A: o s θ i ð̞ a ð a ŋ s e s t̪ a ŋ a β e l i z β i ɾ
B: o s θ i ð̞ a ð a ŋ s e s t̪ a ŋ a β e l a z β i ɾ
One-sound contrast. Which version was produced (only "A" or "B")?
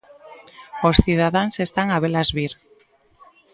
B